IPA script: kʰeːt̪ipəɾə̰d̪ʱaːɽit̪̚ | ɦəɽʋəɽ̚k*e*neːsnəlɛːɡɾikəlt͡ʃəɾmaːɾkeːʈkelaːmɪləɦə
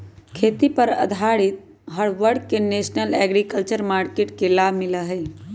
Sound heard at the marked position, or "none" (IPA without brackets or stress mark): e